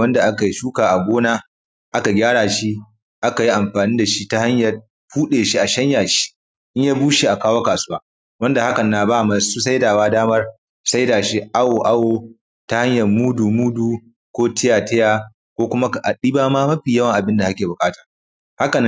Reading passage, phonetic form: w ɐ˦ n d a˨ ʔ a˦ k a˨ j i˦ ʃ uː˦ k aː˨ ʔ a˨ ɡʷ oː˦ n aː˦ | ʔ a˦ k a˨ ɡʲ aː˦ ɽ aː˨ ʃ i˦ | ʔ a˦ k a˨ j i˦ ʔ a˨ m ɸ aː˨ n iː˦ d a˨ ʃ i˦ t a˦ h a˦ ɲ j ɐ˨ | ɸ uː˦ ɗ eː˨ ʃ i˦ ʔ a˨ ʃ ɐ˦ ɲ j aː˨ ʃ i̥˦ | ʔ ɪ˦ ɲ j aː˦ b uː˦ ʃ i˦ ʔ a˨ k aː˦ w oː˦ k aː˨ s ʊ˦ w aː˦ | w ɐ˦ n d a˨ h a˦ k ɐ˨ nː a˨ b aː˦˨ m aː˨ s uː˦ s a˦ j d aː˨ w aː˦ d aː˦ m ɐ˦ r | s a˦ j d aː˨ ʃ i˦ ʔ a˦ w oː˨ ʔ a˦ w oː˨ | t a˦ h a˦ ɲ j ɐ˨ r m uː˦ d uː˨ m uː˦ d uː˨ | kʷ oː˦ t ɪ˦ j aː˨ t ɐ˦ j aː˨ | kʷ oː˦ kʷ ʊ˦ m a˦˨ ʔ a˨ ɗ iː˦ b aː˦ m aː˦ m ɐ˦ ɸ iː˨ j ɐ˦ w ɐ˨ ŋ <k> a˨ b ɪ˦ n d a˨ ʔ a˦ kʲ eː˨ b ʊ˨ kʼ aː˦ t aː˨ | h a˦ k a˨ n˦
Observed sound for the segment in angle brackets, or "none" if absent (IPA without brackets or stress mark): ʔ